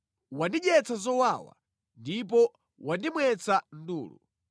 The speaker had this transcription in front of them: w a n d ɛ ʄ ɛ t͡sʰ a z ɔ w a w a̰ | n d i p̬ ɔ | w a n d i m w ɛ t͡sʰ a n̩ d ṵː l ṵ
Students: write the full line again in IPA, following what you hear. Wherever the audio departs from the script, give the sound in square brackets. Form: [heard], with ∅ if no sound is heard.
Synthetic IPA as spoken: w a n d [i] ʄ ɛ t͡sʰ a z ɔ w a w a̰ | n d i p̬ ɔ | w a n d i m w ɛ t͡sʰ a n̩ d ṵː l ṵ